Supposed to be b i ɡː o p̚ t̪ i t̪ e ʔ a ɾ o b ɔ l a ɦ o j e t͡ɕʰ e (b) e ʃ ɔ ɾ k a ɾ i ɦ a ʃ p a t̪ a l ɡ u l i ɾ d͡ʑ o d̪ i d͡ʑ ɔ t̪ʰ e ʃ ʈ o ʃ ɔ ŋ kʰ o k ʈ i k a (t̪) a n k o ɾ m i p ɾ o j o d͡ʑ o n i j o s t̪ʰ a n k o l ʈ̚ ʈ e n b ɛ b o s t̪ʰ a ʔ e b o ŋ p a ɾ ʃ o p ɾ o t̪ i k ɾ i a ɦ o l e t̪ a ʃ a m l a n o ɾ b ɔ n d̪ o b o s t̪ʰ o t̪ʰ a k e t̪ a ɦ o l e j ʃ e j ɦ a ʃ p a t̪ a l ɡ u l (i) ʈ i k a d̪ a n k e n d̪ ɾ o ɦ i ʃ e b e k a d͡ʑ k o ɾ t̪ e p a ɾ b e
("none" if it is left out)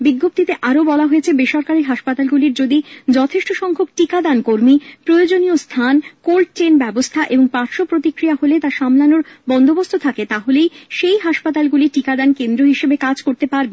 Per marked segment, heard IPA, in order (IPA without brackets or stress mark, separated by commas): b, d̪, i